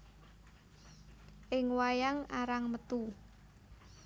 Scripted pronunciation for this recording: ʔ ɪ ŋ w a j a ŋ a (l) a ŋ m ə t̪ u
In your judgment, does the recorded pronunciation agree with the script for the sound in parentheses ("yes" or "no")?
no